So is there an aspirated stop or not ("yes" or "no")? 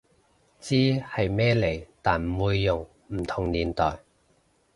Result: yes